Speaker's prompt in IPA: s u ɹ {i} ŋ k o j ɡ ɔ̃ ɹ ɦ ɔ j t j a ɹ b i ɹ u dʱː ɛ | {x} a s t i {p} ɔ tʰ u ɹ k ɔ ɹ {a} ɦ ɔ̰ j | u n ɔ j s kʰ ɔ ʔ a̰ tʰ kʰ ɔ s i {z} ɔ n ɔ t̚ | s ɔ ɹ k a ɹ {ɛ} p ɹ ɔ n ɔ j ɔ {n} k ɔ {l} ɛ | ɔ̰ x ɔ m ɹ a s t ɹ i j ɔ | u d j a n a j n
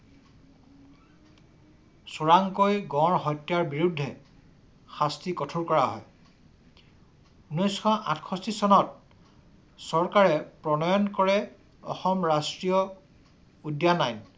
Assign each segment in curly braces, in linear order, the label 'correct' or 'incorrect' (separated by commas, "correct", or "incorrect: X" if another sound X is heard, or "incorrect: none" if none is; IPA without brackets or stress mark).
incorrect: a, correct, incorrect: k, correct, incorrect: s, correct, correct, incorrect: ɹ